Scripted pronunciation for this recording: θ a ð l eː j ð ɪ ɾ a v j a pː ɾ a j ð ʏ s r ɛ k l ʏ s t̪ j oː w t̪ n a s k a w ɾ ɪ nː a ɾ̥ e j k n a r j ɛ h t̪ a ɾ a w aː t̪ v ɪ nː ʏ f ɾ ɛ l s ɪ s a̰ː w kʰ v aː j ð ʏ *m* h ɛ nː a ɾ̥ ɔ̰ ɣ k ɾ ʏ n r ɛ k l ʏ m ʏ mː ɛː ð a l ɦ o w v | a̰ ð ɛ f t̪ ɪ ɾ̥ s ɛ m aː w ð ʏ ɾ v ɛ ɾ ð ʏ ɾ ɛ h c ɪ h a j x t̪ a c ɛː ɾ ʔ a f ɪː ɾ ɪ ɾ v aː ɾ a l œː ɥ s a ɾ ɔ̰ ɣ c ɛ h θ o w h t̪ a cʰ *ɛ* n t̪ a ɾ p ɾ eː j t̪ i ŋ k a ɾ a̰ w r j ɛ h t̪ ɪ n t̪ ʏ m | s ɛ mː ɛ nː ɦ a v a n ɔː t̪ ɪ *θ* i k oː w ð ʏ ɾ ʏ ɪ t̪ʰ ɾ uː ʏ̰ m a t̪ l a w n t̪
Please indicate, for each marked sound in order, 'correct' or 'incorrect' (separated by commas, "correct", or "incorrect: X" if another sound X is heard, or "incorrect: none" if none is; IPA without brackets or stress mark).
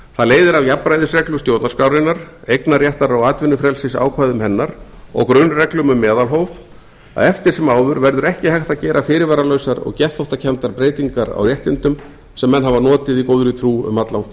correct, correct, incorrect: ð